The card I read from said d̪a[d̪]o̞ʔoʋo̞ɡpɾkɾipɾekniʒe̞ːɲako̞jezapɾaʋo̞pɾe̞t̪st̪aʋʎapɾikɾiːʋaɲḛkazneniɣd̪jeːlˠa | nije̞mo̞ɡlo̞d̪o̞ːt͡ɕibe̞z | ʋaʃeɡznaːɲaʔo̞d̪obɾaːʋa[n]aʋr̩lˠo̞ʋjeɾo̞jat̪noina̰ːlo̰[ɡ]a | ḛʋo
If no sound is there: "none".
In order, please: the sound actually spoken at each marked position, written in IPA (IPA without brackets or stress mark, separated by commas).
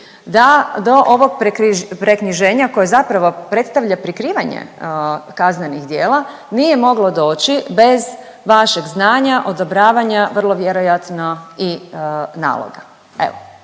d̪, ɲ, ɡ